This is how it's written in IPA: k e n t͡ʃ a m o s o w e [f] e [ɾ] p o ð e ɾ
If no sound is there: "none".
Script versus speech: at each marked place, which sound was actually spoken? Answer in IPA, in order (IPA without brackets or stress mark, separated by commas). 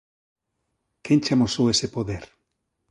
s, none